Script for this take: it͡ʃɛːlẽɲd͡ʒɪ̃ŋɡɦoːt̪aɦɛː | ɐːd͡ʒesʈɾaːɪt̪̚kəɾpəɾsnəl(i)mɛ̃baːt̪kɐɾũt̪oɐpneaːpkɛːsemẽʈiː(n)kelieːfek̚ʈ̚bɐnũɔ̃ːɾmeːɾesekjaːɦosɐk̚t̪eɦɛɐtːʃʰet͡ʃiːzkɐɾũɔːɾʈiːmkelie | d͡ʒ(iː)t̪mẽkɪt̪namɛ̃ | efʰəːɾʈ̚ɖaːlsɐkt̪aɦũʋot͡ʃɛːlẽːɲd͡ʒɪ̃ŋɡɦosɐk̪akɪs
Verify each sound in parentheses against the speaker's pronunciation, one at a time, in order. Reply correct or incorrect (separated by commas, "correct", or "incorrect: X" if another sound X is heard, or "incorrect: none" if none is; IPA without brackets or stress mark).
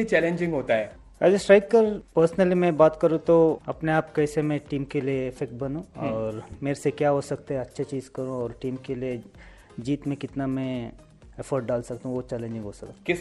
correct, incorrect: m, correct